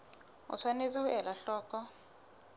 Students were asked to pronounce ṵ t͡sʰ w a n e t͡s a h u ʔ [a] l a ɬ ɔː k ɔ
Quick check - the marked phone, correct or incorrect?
incorrect